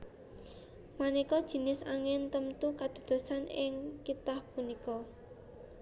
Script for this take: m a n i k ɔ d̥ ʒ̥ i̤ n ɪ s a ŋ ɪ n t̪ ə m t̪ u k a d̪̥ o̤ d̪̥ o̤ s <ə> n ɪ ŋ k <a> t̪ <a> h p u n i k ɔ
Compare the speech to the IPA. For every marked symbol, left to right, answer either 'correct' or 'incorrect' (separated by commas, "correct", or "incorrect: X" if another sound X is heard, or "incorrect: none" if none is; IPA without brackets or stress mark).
incorrect: a, incorrect: i, correct